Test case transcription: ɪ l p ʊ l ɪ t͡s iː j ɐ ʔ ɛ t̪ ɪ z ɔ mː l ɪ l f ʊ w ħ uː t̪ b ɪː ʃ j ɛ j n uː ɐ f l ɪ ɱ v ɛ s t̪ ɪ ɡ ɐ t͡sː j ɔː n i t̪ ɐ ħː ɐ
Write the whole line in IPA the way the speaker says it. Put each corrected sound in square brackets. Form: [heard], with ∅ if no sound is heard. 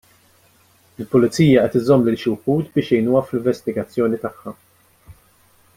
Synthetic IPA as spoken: ɪ l p ʊ l ɪ t͡s iː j ɐ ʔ ɛ t̪ ɪ z ɔ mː l ɪ l [ʃ] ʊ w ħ uː t̪ b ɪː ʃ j ɛ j n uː ɐ f l ɪ ɱ v ɛ s t̪ ɪ ɡ ɐ t͡sː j ɔː n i t̪ ɐ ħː ɐ